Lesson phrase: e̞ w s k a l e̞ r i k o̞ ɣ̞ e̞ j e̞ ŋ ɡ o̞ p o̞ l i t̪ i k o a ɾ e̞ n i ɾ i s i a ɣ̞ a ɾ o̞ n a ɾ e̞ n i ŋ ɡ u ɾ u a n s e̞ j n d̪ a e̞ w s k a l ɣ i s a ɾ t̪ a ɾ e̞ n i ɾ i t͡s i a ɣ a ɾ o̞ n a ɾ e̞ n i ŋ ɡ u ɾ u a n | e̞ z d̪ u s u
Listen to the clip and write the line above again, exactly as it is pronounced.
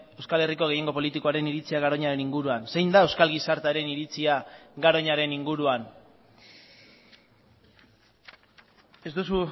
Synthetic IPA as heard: e̞ w s k a l e̞ r i k o̞ ɣ̞ e̞ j e̞ ŋ ɡ o̞ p o̞ l i t̪ i k o a ɾ e̞ n i ɾ i t͡s i a ɣ̞ a ɾ o̞ ɲ a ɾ e̞ n i ŋ ɡ u ɾ u a n s e̞ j n d̪ a e̞ w s k a l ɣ i s a ɾ t̪ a ɾ e̞ n i ɾ i t͡s i a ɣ a ɾ o̞ ɲ a ɾ e̞ n i ŋ ɡ u ɾ u a n | e̞ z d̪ u s u